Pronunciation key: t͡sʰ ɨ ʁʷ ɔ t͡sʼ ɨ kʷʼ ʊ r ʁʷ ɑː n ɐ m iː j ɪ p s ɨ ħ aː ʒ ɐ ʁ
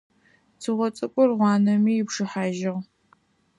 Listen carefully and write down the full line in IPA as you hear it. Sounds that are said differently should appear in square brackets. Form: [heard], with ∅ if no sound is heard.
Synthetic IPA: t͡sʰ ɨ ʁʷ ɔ t͡sʼ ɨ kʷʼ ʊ r ʁʷ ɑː n ɐ m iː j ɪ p [ʂ] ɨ ħ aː ʒ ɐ ʁ

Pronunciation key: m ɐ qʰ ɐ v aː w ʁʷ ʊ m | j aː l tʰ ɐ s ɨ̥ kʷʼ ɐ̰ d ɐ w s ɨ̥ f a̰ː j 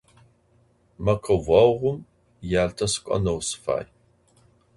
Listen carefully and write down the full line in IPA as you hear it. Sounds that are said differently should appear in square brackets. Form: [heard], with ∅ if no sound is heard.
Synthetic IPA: m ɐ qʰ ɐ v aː w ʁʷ ʊ m | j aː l tʰ ɐ s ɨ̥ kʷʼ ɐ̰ [n] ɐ w s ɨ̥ f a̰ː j

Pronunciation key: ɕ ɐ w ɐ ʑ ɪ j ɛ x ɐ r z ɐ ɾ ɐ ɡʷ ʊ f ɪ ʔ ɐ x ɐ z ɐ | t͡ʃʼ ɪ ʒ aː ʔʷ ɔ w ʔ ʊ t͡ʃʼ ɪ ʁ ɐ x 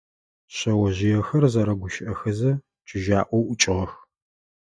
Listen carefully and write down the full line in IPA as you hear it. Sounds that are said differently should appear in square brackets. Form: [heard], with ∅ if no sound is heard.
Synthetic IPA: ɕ ɐ w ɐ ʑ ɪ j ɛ x ɐ r z ɐ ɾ ɐ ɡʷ ʊ [ʃ] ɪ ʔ ɐ x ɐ z ɐ | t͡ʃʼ ɪ ʒ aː ʔʷ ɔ w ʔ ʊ t͡ʃʼ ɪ ʁ ɐ x

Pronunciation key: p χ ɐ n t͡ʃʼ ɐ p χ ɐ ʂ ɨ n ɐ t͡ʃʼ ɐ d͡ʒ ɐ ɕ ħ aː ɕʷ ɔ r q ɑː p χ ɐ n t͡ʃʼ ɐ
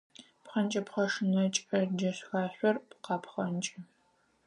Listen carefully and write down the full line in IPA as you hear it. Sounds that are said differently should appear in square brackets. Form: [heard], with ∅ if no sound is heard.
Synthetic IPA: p χ ɐ n t͡ʃʼ ɐ p χ ɐ ʂ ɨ n ɐ t͡ʃʼ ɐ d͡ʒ ɐ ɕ [x] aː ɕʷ ɔ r q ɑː p χ ɐ n t͡ʃʼ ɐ

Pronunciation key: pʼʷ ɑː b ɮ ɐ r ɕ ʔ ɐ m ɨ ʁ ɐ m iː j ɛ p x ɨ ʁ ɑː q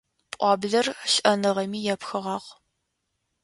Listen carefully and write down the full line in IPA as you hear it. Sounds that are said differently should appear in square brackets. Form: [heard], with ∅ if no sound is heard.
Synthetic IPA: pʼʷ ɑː b ɮ ɐ r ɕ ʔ ɐ [n] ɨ ʁ ɐ m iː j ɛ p x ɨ ʁ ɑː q

